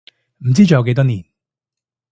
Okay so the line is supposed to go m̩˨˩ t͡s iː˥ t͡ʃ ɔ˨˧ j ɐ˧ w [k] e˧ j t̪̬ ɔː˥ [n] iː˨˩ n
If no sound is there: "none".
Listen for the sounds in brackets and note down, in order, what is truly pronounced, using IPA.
k, n

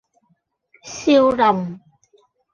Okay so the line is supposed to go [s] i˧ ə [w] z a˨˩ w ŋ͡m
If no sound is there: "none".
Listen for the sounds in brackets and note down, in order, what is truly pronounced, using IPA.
s, w

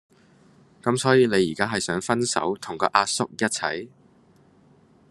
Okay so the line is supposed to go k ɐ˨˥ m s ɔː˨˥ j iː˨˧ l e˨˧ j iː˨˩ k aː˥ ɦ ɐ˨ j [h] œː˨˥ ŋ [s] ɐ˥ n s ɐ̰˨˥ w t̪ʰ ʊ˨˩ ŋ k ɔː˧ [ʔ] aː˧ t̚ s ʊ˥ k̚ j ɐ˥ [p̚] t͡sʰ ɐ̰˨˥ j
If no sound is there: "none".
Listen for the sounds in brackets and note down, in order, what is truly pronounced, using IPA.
s, f, ʔ, t̚

